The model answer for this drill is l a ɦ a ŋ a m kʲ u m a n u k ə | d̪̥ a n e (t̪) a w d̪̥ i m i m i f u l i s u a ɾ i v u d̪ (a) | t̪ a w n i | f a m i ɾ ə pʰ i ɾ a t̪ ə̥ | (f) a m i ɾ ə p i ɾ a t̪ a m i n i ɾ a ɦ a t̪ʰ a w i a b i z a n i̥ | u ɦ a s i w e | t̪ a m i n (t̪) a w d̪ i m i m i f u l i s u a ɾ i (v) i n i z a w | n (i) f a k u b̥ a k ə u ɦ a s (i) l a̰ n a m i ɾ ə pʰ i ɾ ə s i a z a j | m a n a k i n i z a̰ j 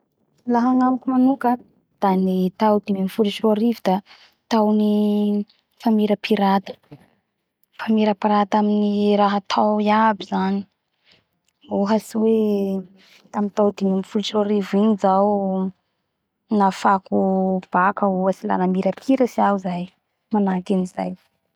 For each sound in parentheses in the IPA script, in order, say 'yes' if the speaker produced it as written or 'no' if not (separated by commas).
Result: yes, yes, yes, yes, yes, no, yes